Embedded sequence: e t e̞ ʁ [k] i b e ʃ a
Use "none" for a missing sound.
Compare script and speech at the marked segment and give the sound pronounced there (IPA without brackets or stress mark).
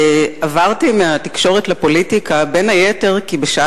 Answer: k